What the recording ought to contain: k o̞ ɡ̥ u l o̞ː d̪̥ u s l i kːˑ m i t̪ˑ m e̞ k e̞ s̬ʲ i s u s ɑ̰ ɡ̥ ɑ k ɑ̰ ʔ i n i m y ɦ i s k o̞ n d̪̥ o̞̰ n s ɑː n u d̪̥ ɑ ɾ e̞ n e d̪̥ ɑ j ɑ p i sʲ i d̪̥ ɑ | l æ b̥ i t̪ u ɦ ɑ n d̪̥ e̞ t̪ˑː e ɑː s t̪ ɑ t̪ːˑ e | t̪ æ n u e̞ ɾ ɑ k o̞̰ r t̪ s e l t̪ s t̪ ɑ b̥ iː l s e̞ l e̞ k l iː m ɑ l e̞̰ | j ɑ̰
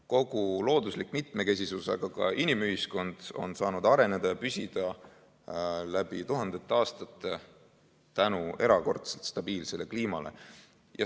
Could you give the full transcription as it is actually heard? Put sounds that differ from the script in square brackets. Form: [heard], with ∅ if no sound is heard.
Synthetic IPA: k o̞ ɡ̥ u l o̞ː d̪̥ u s l i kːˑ m i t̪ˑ m e̞ k e̞ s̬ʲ i s u s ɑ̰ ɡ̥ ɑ k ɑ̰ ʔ i n i m y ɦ i s k o̞ n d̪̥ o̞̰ n s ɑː n u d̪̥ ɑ ɾ e̞ n e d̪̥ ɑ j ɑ p [y] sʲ i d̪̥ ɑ | l æ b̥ i t̪ u ɦ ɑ n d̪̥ e̞ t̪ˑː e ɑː s t̪ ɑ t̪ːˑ e | t̪ æ n u e̞ ɾ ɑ k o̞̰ r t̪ s e l t̪ s t̪ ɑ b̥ iː l s e̞ l e̞ k l iː m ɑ l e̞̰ | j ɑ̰